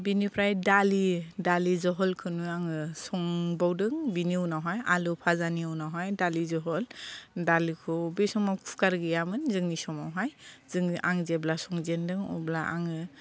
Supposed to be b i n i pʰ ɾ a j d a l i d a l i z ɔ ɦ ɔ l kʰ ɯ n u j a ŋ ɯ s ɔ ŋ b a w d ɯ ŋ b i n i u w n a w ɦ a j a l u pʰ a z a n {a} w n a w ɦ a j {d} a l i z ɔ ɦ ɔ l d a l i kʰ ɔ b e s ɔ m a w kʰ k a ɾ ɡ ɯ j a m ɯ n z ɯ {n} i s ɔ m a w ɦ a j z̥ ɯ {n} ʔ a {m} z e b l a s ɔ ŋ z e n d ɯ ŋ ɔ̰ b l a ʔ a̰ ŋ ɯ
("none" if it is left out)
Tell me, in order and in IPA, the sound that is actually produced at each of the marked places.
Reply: i, d, ŋ, ŋ, ŋ

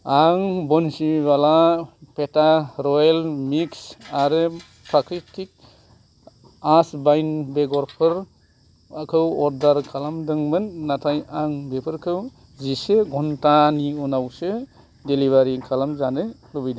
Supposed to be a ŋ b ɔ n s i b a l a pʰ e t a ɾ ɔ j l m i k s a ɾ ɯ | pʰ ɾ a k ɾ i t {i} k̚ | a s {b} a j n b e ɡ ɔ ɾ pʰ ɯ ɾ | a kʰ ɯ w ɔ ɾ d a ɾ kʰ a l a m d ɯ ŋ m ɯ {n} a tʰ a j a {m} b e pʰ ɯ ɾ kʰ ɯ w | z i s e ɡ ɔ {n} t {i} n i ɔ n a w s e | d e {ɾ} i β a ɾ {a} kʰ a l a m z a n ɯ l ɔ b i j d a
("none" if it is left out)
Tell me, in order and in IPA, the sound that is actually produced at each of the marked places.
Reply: i, b, nː, ŋ, n, a, l, i

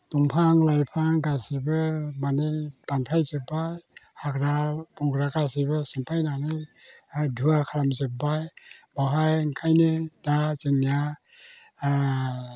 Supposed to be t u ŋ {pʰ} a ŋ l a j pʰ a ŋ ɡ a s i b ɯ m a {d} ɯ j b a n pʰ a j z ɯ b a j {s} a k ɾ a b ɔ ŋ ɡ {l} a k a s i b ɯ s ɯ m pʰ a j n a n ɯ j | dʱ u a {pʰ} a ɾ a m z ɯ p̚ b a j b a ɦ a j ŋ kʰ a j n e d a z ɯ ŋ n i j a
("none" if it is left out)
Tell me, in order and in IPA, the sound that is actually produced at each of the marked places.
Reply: pʰ, n, h, ɾ, kʰ

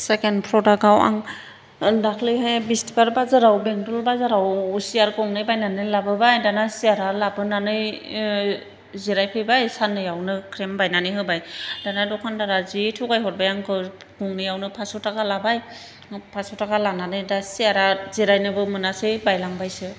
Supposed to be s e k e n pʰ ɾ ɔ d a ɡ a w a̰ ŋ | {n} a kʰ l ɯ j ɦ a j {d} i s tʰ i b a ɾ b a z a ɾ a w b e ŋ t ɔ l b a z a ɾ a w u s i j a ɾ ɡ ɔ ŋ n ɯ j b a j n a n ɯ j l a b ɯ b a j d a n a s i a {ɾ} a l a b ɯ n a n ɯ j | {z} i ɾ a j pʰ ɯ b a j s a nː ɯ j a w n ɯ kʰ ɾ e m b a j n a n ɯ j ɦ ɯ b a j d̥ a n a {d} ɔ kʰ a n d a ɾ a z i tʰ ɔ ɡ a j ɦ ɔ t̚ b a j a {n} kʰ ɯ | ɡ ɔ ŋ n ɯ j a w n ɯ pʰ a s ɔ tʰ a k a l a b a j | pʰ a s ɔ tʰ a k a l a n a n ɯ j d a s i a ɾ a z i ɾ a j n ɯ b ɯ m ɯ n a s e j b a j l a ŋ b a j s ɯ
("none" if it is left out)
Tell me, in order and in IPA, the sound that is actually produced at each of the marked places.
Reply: d, b, ɾ, z, d, ŋ

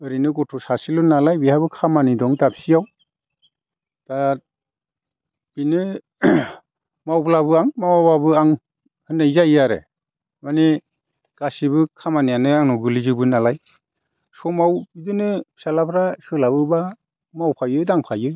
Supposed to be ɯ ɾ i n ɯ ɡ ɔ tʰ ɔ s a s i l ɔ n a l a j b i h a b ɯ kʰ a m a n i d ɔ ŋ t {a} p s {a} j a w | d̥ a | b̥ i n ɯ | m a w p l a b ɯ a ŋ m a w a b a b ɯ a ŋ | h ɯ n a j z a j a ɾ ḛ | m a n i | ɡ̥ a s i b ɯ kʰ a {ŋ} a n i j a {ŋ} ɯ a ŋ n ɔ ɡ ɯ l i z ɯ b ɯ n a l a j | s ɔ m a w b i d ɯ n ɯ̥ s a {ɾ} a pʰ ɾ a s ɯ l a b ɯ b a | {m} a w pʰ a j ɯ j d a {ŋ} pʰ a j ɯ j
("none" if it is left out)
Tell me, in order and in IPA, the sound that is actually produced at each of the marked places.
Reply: a, i, m, n, l, m, ŋ

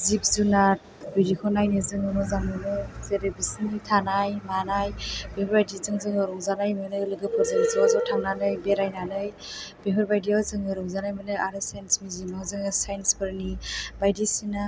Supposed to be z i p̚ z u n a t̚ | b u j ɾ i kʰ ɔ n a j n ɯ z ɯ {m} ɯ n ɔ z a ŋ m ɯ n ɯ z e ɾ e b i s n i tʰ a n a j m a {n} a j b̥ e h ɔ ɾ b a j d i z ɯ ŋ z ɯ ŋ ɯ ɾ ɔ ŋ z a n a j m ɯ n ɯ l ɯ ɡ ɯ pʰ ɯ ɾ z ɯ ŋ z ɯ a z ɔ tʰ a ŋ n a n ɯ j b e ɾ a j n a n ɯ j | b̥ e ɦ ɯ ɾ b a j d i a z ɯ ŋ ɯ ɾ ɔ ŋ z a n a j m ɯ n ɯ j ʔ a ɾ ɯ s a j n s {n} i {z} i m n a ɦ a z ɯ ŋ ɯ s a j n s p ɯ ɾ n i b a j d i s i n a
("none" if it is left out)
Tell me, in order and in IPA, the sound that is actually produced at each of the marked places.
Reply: ŋ, n, m, z

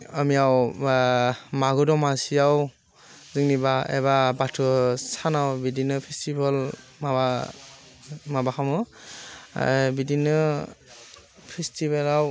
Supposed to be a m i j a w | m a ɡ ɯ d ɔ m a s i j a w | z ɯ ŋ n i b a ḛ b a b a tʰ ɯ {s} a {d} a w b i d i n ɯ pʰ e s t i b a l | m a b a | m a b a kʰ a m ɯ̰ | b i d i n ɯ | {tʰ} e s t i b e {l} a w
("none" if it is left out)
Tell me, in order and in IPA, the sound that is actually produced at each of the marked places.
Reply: s, n, pʰ, l

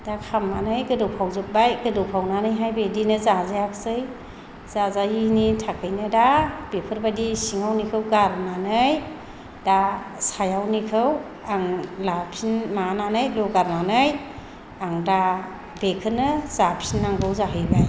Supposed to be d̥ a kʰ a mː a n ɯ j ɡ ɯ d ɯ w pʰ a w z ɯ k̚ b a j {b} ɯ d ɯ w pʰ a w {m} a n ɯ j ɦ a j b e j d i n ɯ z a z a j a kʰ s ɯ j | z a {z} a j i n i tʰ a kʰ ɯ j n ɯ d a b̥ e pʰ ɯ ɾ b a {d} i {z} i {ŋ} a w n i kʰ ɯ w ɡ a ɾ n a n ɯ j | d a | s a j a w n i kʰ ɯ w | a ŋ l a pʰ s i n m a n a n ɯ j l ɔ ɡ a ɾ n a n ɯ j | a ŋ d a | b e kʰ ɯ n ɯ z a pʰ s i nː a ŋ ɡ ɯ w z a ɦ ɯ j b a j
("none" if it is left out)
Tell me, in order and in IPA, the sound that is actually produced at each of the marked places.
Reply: ɡ, n, z, d, s, ŋ

